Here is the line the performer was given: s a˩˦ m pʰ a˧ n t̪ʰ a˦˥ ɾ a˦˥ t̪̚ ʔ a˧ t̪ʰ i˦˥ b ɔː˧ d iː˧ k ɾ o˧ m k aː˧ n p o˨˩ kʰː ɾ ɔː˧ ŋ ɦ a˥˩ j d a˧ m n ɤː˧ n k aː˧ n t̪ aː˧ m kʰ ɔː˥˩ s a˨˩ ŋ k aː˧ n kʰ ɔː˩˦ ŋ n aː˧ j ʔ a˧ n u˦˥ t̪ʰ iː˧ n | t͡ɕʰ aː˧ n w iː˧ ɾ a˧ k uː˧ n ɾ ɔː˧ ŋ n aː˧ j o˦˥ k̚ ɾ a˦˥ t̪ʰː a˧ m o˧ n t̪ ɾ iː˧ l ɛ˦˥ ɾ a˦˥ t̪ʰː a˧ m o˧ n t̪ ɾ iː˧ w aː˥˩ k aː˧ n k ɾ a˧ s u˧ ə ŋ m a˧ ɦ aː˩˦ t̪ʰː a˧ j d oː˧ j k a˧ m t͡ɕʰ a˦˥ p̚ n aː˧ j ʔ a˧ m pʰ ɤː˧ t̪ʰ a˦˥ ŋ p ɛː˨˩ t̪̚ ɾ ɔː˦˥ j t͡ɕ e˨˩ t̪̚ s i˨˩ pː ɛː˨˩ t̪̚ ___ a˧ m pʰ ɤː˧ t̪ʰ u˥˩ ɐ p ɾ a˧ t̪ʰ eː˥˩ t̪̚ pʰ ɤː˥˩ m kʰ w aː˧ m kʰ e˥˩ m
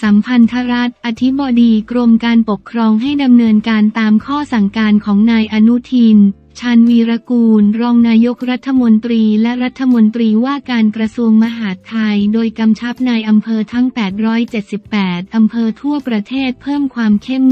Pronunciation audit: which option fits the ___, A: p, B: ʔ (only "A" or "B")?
B